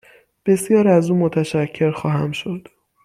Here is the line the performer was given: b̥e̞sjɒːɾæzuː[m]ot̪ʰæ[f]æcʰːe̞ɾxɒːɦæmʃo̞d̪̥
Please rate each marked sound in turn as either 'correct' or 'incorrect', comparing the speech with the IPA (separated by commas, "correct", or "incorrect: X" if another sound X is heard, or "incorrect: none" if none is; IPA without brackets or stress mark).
correct, incorrect: ʃ